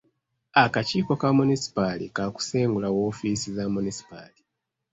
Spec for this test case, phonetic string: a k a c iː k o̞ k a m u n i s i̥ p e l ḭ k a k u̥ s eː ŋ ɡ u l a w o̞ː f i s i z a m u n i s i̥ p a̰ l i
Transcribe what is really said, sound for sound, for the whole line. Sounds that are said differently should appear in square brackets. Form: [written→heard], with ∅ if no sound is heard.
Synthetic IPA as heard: a k a c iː k o̞ k a m u n i s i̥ p [e→a] l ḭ k a k u̥ s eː ŋ ɡ u l a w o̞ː f i s i z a m u n i s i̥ p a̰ l i